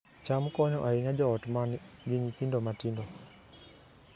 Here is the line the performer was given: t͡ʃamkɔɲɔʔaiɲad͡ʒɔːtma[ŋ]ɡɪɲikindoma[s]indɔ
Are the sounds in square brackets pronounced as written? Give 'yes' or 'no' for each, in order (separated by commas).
no, no